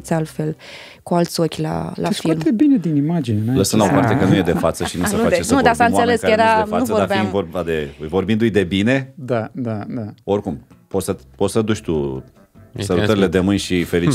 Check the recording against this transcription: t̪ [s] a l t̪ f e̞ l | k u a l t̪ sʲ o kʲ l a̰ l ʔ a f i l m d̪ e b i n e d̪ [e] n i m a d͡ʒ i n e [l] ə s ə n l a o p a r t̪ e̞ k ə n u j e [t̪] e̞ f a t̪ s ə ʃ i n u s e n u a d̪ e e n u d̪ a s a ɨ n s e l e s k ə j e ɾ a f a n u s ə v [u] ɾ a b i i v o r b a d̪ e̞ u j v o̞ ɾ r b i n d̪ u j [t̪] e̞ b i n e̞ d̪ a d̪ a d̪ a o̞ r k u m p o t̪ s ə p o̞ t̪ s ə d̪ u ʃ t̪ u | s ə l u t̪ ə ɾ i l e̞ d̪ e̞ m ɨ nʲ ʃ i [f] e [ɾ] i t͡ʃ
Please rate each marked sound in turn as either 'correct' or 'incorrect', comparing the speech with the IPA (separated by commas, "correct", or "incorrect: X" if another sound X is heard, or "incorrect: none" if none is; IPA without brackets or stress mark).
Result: correct, incorrect: i, correct, incorrect: d̪, incorrect: o, incorrect: d̪, correct, incorrect: l